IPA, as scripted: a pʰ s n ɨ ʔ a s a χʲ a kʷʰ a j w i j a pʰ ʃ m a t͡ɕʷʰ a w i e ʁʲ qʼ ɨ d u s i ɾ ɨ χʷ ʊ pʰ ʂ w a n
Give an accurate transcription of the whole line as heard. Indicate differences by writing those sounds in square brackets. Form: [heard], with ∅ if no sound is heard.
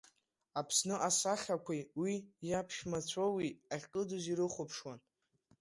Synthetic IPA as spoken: a pʰ s n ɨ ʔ a s a χʲ a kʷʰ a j w i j a pʰ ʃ m a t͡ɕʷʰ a w i [a] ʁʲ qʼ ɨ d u [z] i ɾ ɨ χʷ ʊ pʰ ʂ w a n